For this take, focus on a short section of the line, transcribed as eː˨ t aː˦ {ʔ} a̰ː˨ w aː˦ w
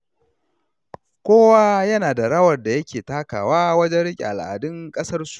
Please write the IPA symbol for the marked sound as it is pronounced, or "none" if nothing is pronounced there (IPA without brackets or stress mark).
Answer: k